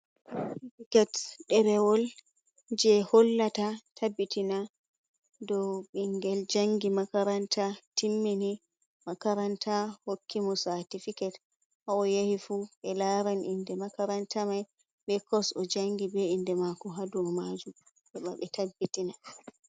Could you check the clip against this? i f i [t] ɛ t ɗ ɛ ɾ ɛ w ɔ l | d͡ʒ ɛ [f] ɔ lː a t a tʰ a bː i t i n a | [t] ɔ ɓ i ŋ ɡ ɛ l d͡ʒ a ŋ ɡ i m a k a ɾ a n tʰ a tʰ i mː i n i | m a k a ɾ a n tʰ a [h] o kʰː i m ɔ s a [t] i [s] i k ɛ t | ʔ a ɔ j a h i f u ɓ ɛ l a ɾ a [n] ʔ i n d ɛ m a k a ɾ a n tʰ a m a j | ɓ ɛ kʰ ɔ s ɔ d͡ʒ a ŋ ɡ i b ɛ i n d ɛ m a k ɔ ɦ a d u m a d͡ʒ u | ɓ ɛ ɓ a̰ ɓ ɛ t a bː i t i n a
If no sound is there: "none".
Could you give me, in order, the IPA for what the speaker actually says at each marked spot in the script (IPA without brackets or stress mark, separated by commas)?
k, h, d, h, t, f, n